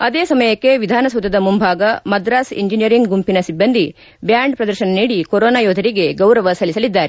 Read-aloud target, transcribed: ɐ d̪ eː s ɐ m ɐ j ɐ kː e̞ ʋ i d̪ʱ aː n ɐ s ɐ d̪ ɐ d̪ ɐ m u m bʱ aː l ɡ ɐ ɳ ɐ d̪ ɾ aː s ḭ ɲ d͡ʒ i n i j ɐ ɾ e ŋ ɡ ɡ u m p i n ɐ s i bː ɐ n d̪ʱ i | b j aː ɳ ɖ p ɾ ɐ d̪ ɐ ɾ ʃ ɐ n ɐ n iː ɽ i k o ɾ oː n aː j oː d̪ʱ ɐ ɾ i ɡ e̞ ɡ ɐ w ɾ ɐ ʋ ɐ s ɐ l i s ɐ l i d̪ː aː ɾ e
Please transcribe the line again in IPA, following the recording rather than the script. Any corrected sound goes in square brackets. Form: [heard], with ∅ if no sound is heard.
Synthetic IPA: ɐ d̪ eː s ɐ m ɐ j ɐ kː e̞ ʋ i d̪ʱ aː n ɐ s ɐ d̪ ɐ d̪ ɐ m u m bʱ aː [∅] ɡ ɐ [m] ɐ d̪ ɾ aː s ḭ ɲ d͡ʒ i n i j ɐ ɾ [i] ŋ ɡ ɡ u m p i n ɐ s i bː ɐ n d̪ʱ i | b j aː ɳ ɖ p ɾ ɐ d̪ ɐ ɾ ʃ ɐ n ɐ n iː ɽ i k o ɾ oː n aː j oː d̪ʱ ɐ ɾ i ɡ e̞ ɡ ɐ w ɾ ɐ ʋ ɐ s ɐ l i s ɐ l i d̪ː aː ɾ e